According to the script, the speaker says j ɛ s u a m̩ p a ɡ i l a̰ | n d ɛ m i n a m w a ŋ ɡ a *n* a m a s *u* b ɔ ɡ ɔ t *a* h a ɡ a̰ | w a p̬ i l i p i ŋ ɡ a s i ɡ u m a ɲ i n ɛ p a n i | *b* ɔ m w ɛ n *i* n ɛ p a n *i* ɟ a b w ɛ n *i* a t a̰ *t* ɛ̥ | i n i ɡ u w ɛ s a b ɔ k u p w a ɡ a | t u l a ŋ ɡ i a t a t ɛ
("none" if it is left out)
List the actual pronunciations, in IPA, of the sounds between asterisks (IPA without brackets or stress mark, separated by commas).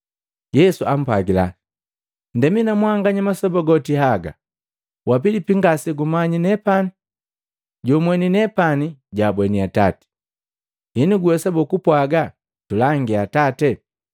ɲ, ɔ, i, ɟ, i, i, i, t